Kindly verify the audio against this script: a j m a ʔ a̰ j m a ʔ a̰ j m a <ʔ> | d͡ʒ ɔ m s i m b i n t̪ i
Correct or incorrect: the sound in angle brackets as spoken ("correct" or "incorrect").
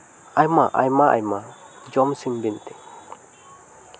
incorrect